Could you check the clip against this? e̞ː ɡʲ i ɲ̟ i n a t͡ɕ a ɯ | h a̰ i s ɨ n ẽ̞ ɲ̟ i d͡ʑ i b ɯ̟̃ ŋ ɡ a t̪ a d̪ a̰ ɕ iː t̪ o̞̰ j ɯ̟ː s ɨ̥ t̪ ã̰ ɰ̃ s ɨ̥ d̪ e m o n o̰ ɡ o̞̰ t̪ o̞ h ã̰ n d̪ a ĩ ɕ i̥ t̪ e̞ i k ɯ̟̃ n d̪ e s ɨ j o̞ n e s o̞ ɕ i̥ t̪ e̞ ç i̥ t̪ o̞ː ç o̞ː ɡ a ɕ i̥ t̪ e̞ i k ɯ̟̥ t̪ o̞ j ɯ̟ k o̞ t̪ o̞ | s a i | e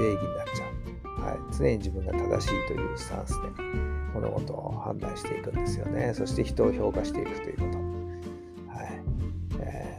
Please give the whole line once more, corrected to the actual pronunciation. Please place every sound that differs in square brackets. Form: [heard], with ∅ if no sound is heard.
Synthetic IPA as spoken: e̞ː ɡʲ i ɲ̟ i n a t͡ɕ a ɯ | h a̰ i [t͡s] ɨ n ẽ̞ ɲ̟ i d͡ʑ i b ɯ̟̃ ŋ ɡ a t̪ a d̪ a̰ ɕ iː t̪ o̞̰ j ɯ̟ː s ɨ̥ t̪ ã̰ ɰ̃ s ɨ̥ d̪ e m o n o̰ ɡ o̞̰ t̪ o̞ h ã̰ n d̪ a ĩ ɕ i̥ t̪ e̞ i k ɯ̟̃ n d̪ e s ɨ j o̞ n e s o̞ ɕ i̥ t̪ e̞ ç i̥ t̪ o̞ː ç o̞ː [k] a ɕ i̥ t̪ e̞ i k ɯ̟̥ t̪ o̞ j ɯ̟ k o̞ t̪ o̞ | [h] a i | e